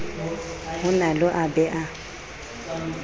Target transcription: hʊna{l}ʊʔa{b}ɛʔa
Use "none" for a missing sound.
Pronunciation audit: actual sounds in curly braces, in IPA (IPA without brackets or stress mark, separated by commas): l, b